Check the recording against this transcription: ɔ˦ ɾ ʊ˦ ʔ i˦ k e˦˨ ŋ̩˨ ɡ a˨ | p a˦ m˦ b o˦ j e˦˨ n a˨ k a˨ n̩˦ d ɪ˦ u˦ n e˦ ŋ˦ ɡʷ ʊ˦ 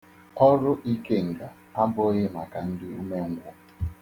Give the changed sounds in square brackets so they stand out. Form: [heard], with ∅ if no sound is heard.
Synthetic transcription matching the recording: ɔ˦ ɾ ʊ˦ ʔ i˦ k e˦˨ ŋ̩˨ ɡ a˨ | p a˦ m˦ b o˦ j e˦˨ [m] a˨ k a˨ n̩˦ d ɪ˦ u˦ [m] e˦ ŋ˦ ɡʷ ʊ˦